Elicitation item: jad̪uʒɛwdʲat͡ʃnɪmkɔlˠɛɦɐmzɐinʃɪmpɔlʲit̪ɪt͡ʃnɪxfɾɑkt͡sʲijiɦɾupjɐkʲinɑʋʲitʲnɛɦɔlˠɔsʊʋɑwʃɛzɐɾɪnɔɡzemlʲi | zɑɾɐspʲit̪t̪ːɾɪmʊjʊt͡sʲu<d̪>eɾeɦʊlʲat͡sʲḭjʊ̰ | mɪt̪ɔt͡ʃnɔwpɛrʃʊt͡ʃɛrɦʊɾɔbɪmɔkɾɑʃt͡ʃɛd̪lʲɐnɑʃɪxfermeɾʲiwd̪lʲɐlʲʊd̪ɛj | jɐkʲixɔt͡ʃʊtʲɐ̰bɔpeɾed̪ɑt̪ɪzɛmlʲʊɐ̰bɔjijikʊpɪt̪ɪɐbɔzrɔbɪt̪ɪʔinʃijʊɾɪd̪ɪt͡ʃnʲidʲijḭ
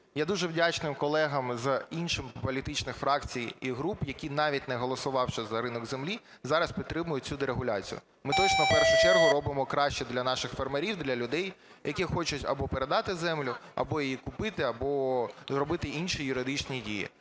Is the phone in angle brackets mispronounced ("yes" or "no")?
no